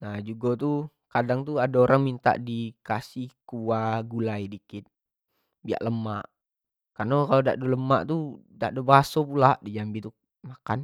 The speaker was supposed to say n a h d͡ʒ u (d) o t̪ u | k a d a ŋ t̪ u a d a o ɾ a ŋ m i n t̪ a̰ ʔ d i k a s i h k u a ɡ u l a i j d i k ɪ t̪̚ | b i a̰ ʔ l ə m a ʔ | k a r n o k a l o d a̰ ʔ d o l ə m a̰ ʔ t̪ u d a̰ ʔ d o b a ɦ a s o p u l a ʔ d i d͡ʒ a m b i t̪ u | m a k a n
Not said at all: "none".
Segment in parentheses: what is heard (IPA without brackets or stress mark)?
ɡ